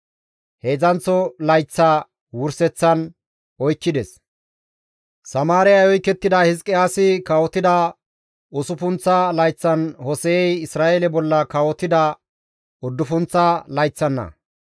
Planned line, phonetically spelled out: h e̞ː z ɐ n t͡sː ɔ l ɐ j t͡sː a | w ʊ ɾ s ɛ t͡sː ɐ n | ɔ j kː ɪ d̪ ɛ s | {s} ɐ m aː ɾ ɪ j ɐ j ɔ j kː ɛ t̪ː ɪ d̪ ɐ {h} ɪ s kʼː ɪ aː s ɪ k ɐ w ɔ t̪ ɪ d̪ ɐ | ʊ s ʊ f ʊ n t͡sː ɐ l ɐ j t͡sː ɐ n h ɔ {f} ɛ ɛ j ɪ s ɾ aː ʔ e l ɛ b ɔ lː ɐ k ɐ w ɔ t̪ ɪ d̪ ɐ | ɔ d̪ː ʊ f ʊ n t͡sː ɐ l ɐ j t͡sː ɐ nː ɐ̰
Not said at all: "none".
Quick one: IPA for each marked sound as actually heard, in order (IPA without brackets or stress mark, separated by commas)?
s, h, s